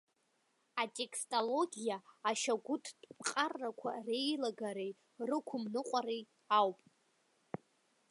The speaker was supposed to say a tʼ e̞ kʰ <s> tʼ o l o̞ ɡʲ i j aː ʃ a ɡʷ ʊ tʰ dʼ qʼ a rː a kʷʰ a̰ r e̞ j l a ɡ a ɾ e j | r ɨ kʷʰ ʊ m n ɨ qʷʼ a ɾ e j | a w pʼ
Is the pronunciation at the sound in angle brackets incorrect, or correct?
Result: correct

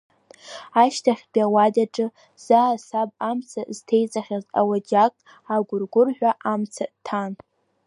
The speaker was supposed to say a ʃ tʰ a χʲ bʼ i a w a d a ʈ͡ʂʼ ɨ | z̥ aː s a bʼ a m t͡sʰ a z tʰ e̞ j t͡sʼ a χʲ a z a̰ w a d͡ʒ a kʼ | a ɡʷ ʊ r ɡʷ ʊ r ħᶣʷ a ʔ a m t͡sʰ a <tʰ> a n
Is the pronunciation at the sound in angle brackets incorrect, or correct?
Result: correct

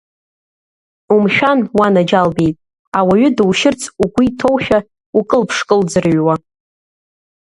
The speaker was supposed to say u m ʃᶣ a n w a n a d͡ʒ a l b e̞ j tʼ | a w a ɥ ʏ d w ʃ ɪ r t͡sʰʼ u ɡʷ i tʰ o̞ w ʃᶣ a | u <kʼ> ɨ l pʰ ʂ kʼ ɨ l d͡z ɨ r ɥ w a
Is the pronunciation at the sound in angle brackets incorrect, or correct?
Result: correct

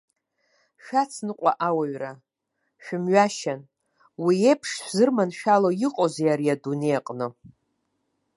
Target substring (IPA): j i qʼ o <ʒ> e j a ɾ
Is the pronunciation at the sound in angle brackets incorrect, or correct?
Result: incorrect: z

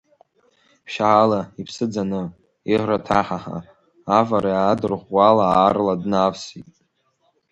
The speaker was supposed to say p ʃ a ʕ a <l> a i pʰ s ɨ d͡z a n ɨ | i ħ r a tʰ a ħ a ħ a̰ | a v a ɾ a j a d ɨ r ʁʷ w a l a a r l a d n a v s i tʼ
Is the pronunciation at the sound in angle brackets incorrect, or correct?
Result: correct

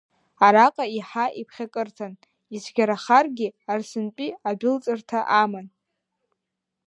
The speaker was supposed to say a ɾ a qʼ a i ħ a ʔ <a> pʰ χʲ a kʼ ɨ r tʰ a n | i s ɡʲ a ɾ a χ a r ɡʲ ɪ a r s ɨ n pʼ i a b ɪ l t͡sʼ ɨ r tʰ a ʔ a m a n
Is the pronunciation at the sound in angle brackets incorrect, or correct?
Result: incorrect: i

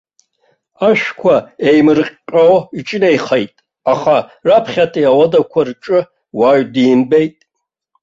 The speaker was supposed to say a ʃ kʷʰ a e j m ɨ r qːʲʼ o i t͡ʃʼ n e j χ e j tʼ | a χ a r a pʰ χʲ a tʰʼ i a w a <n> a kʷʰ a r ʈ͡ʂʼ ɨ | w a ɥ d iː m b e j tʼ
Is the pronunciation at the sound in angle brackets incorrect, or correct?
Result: incorrect: d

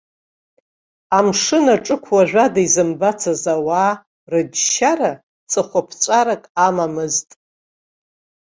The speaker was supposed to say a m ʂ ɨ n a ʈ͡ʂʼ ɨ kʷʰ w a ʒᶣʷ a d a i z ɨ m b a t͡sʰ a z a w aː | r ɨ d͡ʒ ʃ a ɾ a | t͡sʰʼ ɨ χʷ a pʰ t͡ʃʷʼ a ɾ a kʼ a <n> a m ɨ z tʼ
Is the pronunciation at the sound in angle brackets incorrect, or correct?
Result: incorrect: m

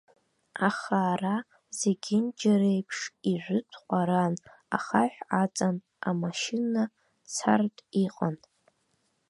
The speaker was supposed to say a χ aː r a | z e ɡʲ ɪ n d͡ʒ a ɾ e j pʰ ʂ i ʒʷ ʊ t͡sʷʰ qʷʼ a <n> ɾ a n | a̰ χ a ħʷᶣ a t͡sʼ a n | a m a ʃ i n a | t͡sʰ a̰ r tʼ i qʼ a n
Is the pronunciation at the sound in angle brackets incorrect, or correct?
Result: incorrect: none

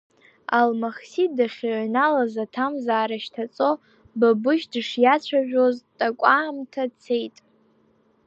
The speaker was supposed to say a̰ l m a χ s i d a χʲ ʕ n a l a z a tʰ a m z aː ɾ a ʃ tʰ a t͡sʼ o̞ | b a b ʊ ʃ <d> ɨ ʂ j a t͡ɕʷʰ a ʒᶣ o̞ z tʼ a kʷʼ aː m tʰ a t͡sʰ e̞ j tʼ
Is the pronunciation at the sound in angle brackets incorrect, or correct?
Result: correct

